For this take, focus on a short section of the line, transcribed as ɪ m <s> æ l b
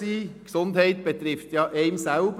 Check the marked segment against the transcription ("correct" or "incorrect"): correct